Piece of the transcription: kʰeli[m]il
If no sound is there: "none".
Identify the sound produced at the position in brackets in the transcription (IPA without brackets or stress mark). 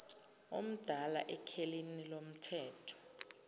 n